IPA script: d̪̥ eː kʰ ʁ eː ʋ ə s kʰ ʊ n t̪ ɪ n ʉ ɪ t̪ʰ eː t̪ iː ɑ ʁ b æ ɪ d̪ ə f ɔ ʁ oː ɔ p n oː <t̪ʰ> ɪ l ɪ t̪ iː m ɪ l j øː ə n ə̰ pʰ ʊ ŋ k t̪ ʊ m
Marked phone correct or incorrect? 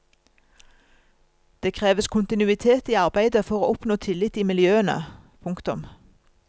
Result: correct